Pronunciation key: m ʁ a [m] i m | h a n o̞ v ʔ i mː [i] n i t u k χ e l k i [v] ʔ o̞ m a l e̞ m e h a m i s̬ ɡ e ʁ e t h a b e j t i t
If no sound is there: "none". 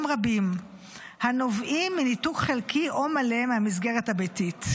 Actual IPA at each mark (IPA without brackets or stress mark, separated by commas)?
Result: b, i, none